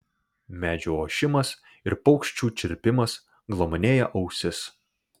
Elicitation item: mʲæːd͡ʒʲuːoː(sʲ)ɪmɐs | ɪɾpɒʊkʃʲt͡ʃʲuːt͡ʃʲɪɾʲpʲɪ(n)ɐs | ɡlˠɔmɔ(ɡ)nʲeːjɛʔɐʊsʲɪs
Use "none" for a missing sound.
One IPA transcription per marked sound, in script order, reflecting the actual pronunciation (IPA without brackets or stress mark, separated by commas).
ʃʲ, m, none